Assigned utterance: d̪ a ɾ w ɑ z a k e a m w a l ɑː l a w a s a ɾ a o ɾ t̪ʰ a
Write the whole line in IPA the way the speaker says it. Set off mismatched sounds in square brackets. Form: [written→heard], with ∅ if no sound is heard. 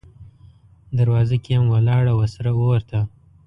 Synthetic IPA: d̪ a ɾ w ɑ z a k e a m w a l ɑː [l→ɽ] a w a s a ɾ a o ɾ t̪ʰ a